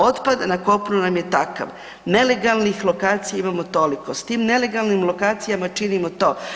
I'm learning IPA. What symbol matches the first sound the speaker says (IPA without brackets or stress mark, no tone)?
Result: o̞